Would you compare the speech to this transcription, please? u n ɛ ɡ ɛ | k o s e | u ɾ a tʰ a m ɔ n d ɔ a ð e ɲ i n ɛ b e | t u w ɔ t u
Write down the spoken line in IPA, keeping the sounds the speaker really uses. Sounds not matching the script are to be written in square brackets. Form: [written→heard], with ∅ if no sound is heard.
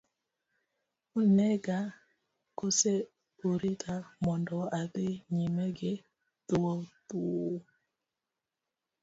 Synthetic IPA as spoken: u n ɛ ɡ [ɛ→a] | k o s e | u ɾ [a→i] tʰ a m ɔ n d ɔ a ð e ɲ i [n→m] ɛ [b→ɡ] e | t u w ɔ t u